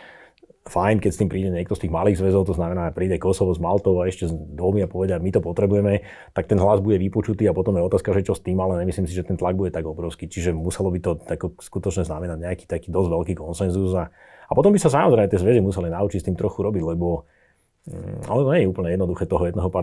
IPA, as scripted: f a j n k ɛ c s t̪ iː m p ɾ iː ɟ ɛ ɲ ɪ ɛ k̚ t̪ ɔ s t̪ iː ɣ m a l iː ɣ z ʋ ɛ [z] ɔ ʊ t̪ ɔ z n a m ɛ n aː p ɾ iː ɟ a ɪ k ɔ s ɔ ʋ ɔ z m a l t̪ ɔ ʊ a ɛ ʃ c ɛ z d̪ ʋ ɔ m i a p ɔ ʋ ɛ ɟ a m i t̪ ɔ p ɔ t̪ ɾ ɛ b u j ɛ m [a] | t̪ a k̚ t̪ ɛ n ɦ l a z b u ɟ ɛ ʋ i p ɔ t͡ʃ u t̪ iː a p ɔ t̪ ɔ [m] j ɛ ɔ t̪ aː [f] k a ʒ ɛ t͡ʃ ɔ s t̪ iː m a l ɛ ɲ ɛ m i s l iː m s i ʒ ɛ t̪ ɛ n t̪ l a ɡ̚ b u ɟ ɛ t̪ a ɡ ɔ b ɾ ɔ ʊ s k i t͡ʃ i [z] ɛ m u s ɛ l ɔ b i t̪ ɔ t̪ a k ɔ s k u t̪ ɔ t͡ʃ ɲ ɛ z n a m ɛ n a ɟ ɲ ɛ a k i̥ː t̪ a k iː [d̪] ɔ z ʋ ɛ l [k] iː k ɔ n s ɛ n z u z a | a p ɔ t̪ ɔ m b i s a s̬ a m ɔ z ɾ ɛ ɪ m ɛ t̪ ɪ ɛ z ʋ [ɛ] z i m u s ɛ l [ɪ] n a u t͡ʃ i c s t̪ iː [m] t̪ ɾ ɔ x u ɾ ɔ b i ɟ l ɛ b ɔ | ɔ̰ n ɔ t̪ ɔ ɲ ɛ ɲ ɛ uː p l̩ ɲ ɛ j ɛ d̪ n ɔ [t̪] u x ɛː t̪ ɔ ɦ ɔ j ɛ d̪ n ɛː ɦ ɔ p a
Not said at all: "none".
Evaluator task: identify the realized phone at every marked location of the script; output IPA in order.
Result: z, ɛ, m, s, ʒ, d̪, k, ɛ, i, m, d̪

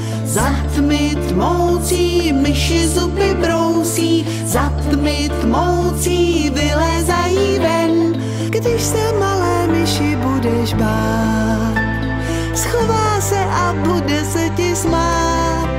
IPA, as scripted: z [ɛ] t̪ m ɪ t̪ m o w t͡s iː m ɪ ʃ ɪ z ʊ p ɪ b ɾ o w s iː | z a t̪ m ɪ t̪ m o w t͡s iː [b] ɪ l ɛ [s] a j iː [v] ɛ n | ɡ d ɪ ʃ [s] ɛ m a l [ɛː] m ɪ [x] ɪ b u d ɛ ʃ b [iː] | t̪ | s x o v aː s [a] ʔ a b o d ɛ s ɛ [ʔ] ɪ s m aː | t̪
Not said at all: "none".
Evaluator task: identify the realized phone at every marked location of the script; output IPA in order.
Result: a, v, z, v, s, ɛː, ʃ, aː, ɛ, c

